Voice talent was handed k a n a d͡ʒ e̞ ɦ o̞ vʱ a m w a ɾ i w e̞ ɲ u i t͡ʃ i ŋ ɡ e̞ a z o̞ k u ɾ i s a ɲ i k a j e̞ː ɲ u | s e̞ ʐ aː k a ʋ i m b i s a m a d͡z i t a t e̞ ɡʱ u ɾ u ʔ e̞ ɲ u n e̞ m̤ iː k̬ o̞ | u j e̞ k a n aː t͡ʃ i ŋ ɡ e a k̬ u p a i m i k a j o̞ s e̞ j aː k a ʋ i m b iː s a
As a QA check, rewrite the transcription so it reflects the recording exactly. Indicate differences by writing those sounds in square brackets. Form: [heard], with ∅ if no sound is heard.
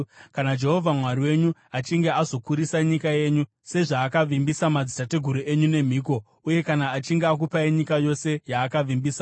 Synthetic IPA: k a n a d͡ʒ e̞ ɦ o̞ vʱ a m w a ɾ i w e̞ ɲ u [a] t͡ʃ i ŋ ɡ e̞ a z o̞ k u ɾ i s a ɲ i k a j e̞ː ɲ u | s e̞ ʐ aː k a ʋ i m b i s a m a d͡z i t a t e̞ ɡʱ u ɾ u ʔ e̞ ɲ u n e̞ m̤ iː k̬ o̞ | u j e̞ k a n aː t͡ʃ i ŋ ɡ e a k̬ u p a i [ɲ] i k a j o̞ s e̞ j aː k a ʋ i m b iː s a